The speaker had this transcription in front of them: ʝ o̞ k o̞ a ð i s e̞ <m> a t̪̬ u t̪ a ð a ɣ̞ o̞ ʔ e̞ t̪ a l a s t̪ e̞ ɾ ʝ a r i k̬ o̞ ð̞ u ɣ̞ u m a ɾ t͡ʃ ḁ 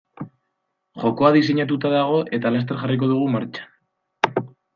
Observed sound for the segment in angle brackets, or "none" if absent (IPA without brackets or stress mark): ɲ